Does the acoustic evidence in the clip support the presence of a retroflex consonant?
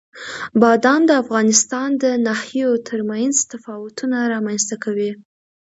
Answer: no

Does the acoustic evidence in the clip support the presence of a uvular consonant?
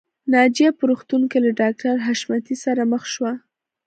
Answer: no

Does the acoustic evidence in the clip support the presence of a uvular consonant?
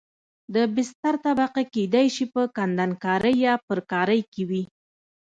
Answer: yes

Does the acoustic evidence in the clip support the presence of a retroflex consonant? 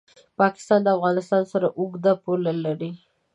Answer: no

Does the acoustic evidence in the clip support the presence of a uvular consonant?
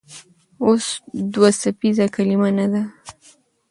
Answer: no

